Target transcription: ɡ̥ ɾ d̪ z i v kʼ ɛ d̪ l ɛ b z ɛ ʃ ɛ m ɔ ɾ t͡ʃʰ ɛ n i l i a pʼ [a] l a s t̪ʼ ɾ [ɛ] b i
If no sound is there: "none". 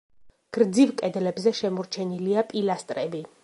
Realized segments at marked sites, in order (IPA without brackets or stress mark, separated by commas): i, ɛ